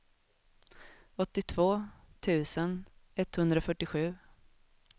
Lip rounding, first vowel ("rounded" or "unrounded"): rounded